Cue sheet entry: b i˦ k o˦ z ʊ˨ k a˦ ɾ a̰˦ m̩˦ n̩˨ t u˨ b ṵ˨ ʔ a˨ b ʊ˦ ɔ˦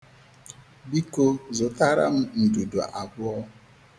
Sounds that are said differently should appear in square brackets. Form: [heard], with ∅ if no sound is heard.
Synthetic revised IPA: b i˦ k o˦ z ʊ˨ [t] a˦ ɾ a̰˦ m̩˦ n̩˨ [d] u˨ [d] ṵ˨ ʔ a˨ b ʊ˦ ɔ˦